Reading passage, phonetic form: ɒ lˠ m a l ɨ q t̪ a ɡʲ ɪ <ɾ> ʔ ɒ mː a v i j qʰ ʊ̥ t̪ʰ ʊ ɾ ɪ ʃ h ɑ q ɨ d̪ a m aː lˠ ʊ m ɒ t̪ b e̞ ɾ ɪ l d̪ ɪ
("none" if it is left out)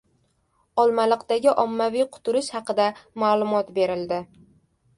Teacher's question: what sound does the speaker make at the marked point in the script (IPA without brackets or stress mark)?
none